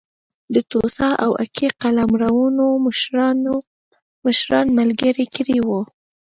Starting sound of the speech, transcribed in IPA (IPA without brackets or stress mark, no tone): d̪